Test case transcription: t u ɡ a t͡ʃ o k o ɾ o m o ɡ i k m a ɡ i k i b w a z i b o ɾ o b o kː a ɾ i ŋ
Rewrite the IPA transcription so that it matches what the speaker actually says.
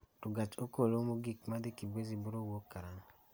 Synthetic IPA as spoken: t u ɡ a t͡ʃ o k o l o m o ɡ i k m a d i k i b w e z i b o ɾ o w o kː a ɾ a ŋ